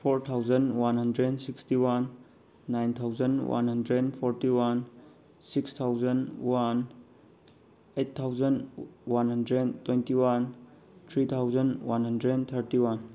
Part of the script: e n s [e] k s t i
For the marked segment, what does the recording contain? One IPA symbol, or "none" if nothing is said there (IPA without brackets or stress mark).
i